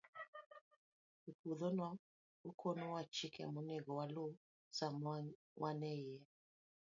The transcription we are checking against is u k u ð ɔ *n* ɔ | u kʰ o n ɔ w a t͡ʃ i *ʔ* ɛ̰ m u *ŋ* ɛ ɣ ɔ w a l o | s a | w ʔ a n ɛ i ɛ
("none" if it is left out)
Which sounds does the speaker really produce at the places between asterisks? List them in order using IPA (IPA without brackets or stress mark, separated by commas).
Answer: n, k, n